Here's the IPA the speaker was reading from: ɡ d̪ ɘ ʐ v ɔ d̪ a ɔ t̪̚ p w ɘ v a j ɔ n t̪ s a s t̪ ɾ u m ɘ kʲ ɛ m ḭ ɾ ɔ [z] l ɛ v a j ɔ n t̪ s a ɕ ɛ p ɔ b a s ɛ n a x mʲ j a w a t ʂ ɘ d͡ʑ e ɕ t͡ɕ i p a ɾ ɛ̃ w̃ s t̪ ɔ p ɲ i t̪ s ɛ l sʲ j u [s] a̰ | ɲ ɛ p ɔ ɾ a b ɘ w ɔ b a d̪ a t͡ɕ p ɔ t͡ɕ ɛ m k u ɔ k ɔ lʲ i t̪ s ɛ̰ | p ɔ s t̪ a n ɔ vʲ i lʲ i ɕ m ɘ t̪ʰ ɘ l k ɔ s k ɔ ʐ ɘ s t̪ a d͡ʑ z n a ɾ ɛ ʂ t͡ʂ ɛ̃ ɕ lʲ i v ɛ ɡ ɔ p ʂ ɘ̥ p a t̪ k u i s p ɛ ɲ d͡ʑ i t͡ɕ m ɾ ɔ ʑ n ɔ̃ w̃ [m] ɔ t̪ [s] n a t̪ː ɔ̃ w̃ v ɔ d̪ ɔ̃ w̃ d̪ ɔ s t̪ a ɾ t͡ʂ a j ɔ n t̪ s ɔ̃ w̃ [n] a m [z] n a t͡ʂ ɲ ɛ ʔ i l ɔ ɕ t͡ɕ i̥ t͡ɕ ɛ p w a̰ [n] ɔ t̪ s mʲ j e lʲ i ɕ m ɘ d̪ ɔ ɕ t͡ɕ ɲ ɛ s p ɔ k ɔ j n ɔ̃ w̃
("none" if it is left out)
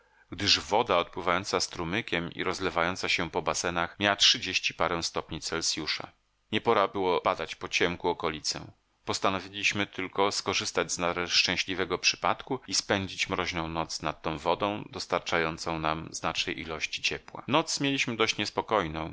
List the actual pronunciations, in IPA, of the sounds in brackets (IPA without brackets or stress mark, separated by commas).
z, ʂ, n, s, n, z, n